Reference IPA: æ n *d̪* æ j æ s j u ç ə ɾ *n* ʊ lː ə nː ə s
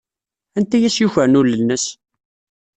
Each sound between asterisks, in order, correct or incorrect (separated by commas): incorrect, correct